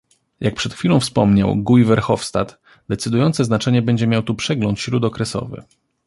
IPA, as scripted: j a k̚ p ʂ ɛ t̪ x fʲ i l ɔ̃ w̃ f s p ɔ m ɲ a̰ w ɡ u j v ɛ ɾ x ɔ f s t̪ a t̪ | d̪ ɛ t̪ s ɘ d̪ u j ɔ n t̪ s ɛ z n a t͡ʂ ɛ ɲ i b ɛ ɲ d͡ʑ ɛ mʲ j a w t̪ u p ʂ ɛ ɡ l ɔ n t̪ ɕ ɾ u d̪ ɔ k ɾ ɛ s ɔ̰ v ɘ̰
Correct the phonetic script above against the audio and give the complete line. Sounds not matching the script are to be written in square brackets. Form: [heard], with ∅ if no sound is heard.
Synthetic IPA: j a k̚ p ʂ ɛ t̪ x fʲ i l ɔ̃ w̃ f s p ɔ m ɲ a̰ w ɡ u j v ɛ ɾ x ɔ f s t̪ a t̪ | d̪ ɛ t̪ s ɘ d̪ u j ɔ n t̪ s ɛ z n a t͡ʂ ɛ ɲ [ɛ] b ɛ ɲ d͡ʑ ɛ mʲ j a w t̪ u p ʂ ɛ ɡ l ɔ n t̪ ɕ ɾ u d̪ ɔ k ɾ ɛ s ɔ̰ v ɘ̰